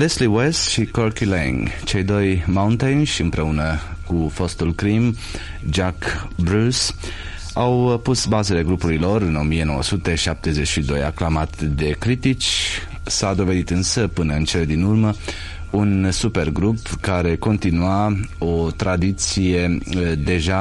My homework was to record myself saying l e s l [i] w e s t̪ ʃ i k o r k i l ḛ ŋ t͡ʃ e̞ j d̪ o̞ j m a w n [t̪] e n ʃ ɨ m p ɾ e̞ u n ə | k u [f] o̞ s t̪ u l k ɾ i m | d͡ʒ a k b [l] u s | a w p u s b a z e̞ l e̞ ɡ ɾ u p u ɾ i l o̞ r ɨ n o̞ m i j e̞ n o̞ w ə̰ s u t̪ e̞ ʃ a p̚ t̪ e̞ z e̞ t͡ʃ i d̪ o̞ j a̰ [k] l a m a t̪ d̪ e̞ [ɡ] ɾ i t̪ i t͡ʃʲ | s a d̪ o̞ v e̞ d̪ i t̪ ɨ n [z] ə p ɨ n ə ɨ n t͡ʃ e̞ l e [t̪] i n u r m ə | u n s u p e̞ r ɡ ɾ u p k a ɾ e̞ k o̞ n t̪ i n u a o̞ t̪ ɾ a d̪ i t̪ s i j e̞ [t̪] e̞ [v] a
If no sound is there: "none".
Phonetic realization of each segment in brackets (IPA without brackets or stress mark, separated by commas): i, t̪, f, ɾ, k, k, s, d̪, d̪, ʒ